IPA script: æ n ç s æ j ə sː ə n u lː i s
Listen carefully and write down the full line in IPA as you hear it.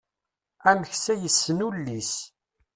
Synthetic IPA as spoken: æ m ç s æ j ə sː ə n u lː i s